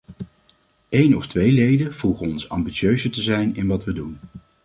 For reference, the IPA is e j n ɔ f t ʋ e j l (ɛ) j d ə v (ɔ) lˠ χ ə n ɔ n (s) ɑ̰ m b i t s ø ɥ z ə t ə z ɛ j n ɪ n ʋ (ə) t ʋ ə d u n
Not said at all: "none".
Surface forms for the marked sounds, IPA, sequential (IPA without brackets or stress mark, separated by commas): e, u, s, ɑ